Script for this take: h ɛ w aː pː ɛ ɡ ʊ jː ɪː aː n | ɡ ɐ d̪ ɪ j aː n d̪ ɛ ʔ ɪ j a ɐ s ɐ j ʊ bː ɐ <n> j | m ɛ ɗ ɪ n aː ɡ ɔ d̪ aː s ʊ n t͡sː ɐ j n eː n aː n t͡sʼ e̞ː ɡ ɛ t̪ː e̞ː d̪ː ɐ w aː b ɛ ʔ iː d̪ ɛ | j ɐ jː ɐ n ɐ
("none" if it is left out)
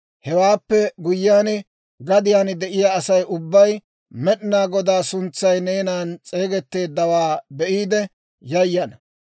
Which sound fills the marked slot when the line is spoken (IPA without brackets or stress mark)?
none